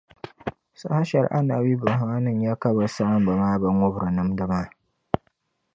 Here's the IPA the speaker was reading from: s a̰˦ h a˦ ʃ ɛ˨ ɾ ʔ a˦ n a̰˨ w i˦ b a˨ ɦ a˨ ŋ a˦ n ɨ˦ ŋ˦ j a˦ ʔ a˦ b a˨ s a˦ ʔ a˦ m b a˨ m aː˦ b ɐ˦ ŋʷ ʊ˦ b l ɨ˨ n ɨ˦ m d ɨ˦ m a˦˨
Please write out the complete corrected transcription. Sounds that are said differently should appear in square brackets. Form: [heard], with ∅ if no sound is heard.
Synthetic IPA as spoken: s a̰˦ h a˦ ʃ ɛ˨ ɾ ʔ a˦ n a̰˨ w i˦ b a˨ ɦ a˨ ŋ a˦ n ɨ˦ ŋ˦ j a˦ [k] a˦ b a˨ s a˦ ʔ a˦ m b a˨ m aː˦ b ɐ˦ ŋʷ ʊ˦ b [ɾ] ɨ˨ n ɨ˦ m d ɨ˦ m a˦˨